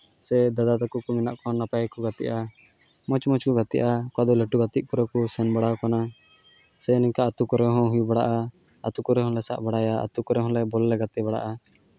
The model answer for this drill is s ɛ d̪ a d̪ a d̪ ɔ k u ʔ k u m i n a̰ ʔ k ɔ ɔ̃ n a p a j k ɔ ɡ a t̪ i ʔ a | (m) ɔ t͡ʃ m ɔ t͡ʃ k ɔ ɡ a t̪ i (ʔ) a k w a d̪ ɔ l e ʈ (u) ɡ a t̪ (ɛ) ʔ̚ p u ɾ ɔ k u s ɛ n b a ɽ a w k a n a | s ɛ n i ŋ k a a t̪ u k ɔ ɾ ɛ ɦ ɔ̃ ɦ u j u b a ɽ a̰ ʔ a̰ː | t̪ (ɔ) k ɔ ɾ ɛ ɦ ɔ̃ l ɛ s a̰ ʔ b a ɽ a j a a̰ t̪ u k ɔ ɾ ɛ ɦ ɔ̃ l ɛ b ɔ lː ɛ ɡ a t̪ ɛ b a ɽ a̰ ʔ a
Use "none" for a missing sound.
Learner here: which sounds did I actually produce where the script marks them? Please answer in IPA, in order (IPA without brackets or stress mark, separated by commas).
m, ʔ, u, i, u